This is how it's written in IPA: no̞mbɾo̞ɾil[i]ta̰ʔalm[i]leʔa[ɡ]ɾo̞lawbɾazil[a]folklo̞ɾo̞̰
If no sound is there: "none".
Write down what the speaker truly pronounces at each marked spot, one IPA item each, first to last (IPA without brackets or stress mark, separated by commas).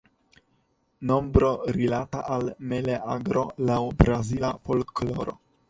a, e, ɡ, a